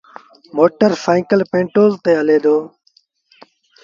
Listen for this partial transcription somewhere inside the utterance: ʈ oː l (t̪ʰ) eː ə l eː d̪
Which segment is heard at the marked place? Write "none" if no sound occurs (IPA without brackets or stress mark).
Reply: t̪